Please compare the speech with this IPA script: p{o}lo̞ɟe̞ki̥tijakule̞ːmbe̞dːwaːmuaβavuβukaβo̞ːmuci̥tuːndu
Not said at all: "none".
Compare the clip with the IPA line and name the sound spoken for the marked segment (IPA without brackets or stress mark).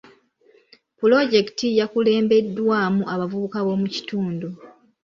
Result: u